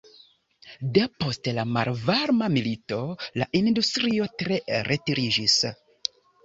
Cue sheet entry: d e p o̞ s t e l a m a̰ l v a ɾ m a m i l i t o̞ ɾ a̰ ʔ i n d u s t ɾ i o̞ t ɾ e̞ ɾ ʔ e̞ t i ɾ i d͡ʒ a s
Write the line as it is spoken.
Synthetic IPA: d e p o̞ s t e l a m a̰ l v a ɾ m a m i l i t o̞ l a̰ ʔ i n d u s t ɾ i o̞ t ɾ e̞ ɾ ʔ e̞ t i ɾ i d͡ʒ i s